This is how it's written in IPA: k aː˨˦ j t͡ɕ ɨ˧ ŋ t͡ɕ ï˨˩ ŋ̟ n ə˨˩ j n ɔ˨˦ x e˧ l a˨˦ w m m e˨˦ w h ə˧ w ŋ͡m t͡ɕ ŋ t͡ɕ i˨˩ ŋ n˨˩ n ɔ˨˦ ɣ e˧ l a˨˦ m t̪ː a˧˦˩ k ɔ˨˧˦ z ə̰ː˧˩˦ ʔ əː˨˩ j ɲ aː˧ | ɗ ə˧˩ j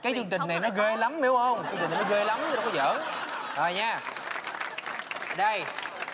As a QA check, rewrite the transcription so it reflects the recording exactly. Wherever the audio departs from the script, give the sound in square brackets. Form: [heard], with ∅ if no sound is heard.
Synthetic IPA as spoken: k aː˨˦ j t͡ɕ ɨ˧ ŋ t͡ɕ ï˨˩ ŋ̟ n [a˨˩] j n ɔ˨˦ [ɣ] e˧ l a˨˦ [∅] m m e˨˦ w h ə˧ w ŋ͡m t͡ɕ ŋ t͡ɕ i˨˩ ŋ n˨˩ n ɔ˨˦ ɣ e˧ l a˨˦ m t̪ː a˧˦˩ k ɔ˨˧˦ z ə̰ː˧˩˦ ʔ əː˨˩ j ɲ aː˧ | ɗ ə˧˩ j